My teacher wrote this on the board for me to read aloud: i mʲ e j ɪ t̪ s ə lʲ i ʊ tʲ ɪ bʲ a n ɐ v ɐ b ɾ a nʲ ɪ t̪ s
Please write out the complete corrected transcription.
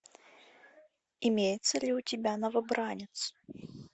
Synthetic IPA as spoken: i mʲ e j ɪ t̪ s ə lʲ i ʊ tʲ ɪ bʲ a n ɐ v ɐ b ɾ a nʲ ɪ t̪ s